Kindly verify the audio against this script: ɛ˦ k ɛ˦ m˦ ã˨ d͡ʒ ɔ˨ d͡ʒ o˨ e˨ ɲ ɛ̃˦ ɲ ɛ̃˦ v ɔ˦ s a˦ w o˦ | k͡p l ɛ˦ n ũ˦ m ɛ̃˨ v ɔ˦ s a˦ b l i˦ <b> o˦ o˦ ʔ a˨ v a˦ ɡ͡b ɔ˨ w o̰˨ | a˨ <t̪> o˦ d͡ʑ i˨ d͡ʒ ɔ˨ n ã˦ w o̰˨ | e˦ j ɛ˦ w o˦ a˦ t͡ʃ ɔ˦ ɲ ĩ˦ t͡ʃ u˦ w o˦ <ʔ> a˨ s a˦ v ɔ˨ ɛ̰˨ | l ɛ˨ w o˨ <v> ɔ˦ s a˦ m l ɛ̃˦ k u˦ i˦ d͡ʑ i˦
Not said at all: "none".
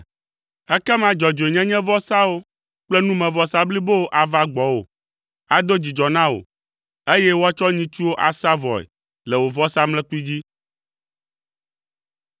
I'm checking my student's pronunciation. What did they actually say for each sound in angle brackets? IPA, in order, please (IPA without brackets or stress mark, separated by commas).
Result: b, d̪, ʔ, v